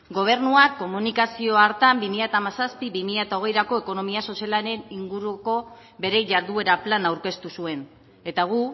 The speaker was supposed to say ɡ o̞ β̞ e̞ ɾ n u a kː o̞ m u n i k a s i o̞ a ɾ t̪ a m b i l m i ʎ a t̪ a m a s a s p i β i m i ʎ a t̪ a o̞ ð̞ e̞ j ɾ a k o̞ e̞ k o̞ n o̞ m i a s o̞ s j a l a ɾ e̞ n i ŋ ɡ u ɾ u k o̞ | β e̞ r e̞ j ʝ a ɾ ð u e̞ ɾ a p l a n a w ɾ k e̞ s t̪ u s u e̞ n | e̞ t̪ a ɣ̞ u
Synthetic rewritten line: ɡ o̞ β̞ e̞ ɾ n u a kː o̞ m u n i k a s i o̞ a ɾ t̪ a m b i m i ʎ a t̪ a m a s a s p i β i m i ʎ a t̪ a o̞ ɣ̞ e̞ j ɾ a k o̞ e̞ k o̞ n o̞ m i a s o̞ s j a l a ɾ e̞ n i ŋ ɡ u ɾ u k o̞ | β e̞ ɾ e̞ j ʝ a ɾ ð u e̞ ɾ a p l a n a w ɾ k e̞ s t̪ u s u e̞ n | e̞ t̪ a ɣ̞ u